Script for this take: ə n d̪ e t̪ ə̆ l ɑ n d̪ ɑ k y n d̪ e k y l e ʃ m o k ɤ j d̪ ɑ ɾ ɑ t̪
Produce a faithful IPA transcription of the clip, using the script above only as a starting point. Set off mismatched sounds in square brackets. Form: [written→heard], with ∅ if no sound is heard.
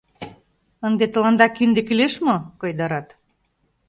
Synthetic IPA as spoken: ə n d̪ e t̪ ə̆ l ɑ n d̪ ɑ k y n d̪ e k y l e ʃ m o k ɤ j d̪ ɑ ɾ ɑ t̪